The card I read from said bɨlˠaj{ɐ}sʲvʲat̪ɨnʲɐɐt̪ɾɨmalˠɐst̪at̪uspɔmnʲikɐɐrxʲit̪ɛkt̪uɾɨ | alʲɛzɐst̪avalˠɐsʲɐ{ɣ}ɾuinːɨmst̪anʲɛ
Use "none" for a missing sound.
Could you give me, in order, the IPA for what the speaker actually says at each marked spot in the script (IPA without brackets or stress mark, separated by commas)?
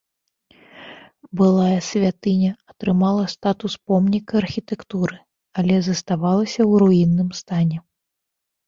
ɐ, w